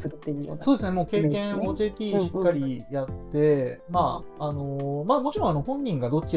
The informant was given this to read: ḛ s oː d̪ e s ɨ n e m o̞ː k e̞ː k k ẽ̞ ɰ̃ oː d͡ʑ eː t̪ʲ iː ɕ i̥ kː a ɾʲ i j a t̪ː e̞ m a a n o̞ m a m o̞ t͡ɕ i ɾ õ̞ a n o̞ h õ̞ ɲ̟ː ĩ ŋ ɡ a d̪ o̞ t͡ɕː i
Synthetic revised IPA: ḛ s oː d̪ e s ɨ n e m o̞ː k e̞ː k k ẽ̞ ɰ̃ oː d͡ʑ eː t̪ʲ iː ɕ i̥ kː a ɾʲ i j a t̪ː e̞ m a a n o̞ m a m o̞ t͡ɕ i ɾ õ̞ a n o̞ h õ̞ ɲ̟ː ĩ ŋ ɡ a d̪ o̞ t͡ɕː i